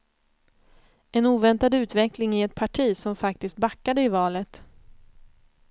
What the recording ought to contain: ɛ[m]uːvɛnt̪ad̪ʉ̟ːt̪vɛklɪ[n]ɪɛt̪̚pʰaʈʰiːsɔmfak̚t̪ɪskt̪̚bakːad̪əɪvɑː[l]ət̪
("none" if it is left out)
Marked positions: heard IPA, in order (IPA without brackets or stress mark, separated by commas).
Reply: n, ŋ, l